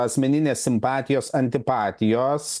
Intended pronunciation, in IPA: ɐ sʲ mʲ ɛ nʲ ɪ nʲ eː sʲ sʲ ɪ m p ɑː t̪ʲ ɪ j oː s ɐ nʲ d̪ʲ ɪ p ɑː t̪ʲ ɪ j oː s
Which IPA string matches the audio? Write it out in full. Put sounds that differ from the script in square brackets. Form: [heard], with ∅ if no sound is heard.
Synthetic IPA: ɐ sʲ mʲ ɛ nʲ ɪ nʲ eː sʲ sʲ ɪ m p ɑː t̪ʲ ɪ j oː s ɐ nʲ [t̪ʲ] ɪ p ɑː t̪ʲ ɪ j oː s

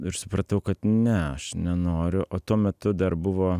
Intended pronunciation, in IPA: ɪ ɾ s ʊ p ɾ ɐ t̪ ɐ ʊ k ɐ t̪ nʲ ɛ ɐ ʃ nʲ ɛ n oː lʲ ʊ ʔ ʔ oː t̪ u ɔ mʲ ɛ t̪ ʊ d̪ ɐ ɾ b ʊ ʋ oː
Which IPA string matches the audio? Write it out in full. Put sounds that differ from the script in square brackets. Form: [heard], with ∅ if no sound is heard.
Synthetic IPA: ɪ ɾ s ʊ p ɾ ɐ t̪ ɐ ʊ k ɐ t̪ nʲ ɛ ɐ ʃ nʲ ɛ n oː [ɾʲ] ʊ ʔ ʔ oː t̪ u ɔ mʲ ɛ t̪ ʊ d̪ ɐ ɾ b ʊ ʋ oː

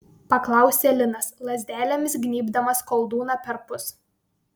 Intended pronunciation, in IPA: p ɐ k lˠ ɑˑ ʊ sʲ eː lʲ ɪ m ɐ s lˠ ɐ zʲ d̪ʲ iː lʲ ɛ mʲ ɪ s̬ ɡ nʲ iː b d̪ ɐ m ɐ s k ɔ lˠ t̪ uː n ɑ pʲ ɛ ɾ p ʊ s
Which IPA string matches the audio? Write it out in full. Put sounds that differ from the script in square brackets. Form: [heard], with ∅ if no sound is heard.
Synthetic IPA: p ɐ k lˠ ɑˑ ʊ sʲ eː lʲ ɪ [n] ɐ s lˠ ɐ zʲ d̪ʲ [æː] lʲ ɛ mʲ ɪ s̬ ɡ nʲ iː b d̪ ɐ m ɐ s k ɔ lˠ [d̪] uː n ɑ pʲ ɛ ɾ p ʊ s

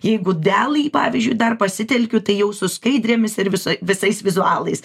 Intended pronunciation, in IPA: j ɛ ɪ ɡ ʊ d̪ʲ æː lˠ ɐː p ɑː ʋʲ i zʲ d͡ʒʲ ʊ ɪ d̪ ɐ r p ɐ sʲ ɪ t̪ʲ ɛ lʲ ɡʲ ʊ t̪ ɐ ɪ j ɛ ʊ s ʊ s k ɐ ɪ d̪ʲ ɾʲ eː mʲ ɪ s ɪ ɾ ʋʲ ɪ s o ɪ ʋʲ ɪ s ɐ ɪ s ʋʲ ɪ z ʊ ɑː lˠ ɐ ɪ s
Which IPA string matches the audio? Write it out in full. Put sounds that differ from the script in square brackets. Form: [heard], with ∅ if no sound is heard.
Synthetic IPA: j ɛ ɪ ɡ ʊ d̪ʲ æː lˠ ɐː p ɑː ʋʲ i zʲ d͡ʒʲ ʊ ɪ d̪ ɐ r p ɐ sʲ ɪ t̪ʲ ɛ lʲ [kʲ] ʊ t̪ ɐ ɪ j ɛ ʊ s ʊ s k ɐ ɪ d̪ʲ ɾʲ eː mʲ ɪ s ɪ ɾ ʋʲ ɪ s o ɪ ʋʲ ɪ s ɐ ɪ s ʋʲ ɪ z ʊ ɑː lˠ ɐ ɪ s

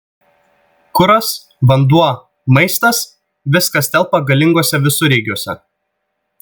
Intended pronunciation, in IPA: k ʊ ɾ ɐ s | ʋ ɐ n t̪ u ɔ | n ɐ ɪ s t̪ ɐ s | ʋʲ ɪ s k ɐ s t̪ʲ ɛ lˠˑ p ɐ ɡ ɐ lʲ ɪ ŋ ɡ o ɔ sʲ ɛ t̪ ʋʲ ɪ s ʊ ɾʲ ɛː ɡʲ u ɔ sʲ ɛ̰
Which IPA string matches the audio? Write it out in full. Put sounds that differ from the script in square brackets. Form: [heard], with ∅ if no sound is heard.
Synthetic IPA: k ʊ ɾ ɐ s | ʋ ɐ n [d̪] u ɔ | [m] ɐ ɪ s t̪ ɐ s | ʋʲ ɪ s k ɐ s t̪ʲ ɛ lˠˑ p ɐ ɡ ɐ lʲ ɪ ŋ ɡ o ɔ sʲ ɛ [∅] ʋʲ ɪ s ʊ ɾʲ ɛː ɡʲ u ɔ sʲ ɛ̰

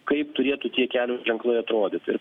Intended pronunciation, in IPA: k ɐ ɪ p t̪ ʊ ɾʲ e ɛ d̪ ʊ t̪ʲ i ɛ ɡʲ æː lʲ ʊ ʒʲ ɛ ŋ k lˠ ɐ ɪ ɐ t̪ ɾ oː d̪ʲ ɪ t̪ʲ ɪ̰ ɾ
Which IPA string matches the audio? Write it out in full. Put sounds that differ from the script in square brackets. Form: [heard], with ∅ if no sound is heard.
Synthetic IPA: k ɐ ɪ p t̪ ʊ ɾʲ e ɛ [t̪] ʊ t̪ʲ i ɛ [kʲ] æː lʲ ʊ ʒʲ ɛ ŋ k lˠ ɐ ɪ ɐ t̪ ɾ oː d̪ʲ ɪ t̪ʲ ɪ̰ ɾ

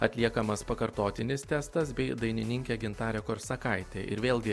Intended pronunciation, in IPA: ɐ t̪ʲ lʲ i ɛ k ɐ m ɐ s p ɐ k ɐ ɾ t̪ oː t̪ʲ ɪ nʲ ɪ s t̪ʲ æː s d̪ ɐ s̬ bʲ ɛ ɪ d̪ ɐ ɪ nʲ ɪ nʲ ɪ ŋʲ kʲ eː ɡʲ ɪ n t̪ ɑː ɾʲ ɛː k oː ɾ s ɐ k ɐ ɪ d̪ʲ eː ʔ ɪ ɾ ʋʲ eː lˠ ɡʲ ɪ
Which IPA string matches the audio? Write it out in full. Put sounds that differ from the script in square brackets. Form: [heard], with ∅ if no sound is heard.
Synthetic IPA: ɐ t̪ʲ lʲ i ɛ k ɐ m ɐ s p ɐ k ɐ ɾ t̪ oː t̪ʲ ɪ nʲ ɪ s t̪ʲ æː s [t̪] ɐ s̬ bʲ ɛ ɪ d̪ ɐ ɪ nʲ ɪ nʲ ɪ ŋʲ kʲ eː ɡʲ ɪ n t̪ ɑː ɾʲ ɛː k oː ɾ s ɐ k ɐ ɪ [t̪ʲ] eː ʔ ɪ ɾ ʋʲ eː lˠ ɡʲ ɪ

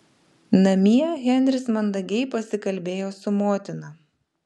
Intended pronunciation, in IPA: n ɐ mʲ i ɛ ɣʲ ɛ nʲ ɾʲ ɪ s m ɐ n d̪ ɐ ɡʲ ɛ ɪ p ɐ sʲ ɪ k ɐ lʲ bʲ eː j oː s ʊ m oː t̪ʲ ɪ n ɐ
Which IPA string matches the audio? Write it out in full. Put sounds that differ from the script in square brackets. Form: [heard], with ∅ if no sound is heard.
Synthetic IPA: n ɐ mʲ i ɛ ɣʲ ɛ nʲ ɾʲ ɪ s m ɐ n d̪ ɐ ɡʲ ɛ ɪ p ɐ sʲ ɪ k ɐ lʲ bʲ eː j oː s ʊ m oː t̪ʲ ɪ n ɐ

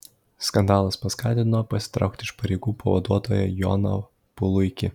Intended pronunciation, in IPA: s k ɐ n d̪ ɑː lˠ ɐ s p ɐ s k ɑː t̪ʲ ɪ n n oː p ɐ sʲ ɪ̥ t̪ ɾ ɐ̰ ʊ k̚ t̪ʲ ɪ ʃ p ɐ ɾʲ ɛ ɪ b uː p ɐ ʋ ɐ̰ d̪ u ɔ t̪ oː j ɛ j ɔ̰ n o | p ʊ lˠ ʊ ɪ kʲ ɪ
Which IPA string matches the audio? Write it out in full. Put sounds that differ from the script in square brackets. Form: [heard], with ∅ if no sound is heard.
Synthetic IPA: s k ɐ n d̪ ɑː lˠ ɐ s p ɐ s k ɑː t̪ʲ ɪ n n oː p ɐ sʲ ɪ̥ t̪ ɾ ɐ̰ ʊ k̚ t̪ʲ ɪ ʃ p ɐ ɾʲ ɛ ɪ [ɡ] uː p ɐ ʋ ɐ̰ d̪ u ɔ t̪ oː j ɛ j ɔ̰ n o | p ʊ lˠ ʊ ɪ kʲ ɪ

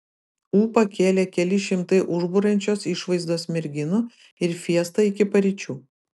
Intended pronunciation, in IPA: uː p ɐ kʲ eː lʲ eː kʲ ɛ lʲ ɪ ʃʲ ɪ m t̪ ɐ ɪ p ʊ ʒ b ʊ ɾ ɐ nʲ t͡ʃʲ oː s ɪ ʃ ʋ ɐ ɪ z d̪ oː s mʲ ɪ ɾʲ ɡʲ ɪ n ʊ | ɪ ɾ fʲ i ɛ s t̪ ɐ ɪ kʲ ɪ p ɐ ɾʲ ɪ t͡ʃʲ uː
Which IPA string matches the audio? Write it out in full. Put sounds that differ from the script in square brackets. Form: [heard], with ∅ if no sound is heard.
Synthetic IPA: uː p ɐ kʲ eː lʲ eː kʲ ɛ lʲ ɪ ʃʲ ɪ m t̪ ɐ ɪ [ʔ] ʊ ʒ b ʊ ɾ ɐ nʲ t͡ʃʲ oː s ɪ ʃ ʋ ɐ ɪ z d̪ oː s mʲ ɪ ɾʲ ɡʲ ɪ n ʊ | ɪ ɾ fʲ i ɛ s t̪ ɐ ɪ kʲ ɪ p ɐ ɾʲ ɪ t͡ʃʲ uː

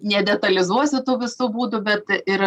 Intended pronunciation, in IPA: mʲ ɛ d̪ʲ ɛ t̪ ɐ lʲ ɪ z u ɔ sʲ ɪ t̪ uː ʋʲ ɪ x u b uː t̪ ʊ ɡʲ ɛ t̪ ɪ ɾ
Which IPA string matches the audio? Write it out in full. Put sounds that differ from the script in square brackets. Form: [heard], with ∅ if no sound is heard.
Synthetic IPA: [nʲ] ɛ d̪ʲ ɛ t̪ ɐ lʲ ɪ z u ɔ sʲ ɪ t̪ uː ʋʲ ɪ [s] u b uː [d̪] ʊ [bʲ] ɛ t̪ ɪ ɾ

